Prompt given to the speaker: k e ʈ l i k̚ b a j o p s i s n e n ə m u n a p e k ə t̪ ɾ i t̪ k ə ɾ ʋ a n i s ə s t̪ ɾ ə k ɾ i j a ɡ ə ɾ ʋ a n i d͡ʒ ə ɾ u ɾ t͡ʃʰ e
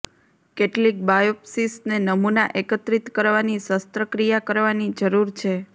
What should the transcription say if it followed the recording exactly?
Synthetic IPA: k e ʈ l i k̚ b a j o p s i s n e n ə m u n a ʔ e k ə t̪ ɾ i t̪ k ə ɾ ʋ a n i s ə s t̪ ɾ ə k ɾ i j a k ə ɾ ʋ a n i d͡ʒ ə ɾ u ɾ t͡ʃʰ e